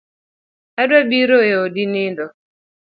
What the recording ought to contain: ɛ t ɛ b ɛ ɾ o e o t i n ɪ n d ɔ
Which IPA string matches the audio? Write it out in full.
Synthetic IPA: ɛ d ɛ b i ɾ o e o d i n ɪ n d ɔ